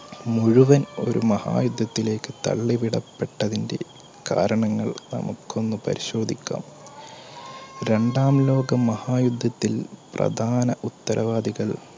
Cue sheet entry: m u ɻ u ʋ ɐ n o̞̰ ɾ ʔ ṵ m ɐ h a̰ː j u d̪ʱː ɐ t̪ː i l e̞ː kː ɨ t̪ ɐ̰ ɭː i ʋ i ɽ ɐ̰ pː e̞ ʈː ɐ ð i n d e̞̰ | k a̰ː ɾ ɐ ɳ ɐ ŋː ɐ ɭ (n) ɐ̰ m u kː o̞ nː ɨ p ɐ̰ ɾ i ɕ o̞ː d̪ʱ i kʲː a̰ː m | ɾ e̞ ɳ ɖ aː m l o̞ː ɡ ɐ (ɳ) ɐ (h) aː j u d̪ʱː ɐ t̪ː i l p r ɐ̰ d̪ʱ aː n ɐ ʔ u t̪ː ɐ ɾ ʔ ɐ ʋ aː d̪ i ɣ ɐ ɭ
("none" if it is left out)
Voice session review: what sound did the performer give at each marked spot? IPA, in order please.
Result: n, m, h

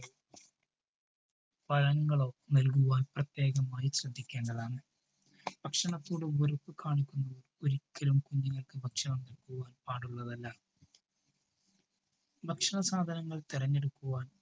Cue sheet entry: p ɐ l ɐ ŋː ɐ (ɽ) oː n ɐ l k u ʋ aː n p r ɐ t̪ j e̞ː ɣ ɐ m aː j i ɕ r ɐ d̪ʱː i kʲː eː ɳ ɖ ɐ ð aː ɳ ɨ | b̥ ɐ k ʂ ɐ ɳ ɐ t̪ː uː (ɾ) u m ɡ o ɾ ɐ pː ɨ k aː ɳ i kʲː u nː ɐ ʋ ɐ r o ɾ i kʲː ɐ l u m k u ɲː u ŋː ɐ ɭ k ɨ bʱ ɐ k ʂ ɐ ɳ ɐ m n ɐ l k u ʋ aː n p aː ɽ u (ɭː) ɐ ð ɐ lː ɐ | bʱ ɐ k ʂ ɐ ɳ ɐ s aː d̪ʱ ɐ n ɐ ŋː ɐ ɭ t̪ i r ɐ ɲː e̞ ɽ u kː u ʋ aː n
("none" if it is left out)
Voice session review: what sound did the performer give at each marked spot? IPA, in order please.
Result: ɭ, ɽ, ɭː

